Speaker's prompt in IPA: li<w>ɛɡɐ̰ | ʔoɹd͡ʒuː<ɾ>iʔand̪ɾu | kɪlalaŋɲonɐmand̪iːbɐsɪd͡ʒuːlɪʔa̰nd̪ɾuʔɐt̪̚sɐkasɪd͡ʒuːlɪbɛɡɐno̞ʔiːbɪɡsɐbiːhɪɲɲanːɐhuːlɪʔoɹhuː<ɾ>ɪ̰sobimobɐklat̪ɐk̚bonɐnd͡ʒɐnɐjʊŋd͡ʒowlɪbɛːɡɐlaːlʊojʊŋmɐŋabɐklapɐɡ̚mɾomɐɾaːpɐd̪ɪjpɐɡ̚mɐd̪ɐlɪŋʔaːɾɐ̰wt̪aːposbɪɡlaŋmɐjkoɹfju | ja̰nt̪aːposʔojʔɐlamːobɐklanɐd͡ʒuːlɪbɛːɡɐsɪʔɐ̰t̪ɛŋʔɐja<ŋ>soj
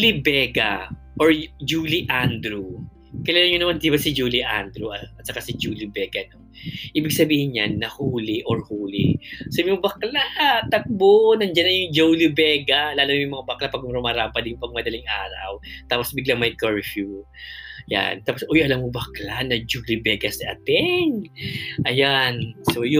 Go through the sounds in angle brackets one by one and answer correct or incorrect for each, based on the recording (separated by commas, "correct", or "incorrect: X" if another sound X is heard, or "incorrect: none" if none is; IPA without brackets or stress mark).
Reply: incorrect: b, incorrect: l, incorrect: l, incorrect: n